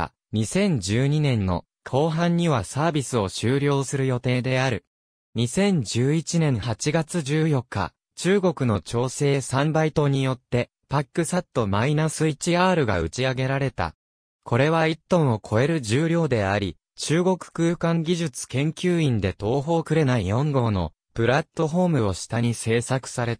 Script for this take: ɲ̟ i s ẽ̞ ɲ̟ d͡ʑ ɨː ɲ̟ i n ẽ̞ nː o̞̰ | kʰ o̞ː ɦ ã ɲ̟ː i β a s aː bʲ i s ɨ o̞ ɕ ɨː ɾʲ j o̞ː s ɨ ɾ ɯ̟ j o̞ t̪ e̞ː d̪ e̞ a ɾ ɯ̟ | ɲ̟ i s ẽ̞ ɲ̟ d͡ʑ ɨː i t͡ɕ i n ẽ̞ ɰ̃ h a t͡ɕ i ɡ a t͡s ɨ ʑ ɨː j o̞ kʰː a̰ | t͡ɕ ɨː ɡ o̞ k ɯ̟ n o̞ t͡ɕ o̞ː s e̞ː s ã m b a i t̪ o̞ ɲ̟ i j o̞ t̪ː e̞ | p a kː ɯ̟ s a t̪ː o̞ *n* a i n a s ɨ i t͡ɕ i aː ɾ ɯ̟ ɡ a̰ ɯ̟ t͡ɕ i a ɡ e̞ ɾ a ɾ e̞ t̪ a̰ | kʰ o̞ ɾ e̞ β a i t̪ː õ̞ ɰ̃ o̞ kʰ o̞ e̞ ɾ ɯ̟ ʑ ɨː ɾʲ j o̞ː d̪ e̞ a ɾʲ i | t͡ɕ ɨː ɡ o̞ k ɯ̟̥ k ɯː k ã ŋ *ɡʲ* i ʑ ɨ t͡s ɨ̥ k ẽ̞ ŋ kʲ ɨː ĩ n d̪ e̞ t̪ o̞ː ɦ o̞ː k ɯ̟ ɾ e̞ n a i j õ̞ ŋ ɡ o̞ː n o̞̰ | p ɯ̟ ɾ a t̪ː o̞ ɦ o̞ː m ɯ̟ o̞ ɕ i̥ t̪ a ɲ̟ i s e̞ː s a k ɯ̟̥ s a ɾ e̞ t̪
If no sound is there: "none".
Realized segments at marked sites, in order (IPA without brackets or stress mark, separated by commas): m, ɡʲ